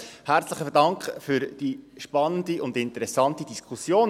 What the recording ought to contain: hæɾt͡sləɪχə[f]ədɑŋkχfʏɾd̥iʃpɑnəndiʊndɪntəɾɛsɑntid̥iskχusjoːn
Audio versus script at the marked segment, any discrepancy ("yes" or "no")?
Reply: no